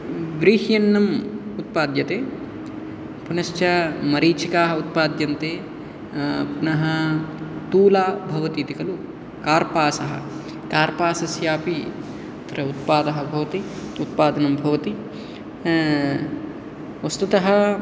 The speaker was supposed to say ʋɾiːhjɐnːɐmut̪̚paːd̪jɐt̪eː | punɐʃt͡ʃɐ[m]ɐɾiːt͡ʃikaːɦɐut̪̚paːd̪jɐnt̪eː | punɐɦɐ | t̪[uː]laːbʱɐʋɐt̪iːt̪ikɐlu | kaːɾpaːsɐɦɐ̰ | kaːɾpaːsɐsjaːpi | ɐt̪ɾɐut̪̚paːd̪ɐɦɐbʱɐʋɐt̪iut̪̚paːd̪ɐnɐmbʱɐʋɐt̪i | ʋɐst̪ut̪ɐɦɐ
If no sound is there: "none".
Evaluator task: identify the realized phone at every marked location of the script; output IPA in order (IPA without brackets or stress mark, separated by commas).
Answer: m, uː